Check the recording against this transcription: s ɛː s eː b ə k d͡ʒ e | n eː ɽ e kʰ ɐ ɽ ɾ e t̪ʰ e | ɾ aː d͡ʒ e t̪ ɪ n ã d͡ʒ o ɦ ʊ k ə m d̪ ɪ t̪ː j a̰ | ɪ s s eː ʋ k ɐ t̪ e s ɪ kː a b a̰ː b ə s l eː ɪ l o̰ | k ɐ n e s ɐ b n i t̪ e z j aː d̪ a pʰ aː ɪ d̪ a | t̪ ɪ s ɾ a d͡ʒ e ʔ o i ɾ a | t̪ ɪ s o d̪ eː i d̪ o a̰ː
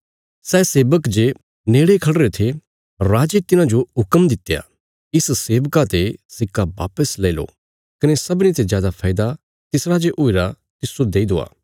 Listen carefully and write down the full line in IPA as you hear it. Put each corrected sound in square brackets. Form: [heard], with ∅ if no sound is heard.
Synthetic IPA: s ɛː s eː b ə k d͡ʒ e | n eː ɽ e kʰ ɐ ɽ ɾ e t̪ʰ e | ɾ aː d͡ʒ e t̪ ɪ n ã d͡ʒ o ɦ ʊ k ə m d̪ ɪ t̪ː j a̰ | ɪ s s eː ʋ k [a] t̪ e s ɪ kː a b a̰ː [p] ə s l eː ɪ l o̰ | k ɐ n e s ɐ b n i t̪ e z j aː d̪ a pʰ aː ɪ d̪ a | t̪ ɪ s ɾ a d͡ʒ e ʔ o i ɾ a | t̪ ɪ s o d̪ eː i d̪ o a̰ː

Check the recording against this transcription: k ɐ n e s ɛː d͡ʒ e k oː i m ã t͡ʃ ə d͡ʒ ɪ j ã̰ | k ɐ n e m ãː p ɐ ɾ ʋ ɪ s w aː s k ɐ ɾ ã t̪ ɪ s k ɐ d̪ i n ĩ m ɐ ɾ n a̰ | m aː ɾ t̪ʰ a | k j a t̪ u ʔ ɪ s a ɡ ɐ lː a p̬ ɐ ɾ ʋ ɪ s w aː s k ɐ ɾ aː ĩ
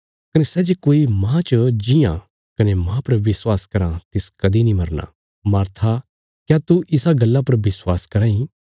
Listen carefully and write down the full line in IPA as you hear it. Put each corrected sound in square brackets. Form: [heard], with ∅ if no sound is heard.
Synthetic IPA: k ɐ n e s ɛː d͡ʒ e k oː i m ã t͡ʃ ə d͡ʒ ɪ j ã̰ | k ɐ n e m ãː p ɐ ɾ ʋ ɪ s w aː s k ɐ ɾ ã t̪ ɪ s k ɐ d̪ i n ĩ m ɐ ɾ n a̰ | m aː ɾ t̪ʰ a | k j a t̪ u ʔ ɪ s a ɡ ɐ lː a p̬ ɐ ɾ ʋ ɪ s w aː s k ɐ ɾ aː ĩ

